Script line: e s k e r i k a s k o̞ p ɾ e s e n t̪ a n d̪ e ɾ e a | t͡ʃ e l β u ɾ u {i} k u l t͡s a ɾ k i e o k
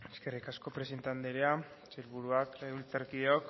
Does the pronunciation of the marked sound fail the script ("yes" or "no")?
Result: yes